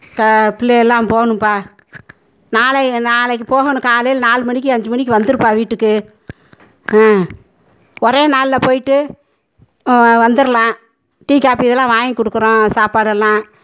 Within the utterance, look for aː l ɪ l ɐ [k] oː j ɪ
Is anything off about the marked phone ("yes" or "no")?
yes